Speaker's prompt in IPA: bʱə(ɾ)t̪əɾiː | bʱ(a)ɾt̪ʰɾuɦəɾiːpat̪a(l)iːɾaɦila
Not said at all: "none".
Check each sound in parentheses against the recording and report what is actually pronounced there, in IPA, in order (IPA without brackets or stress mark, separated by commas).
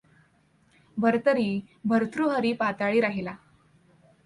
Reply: ɾ, ə, ɭ